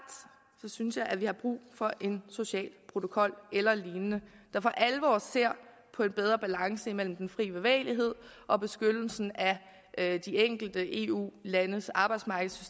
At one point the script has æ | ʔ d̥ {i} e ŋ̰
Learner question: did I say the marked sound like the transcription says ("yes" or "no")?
yes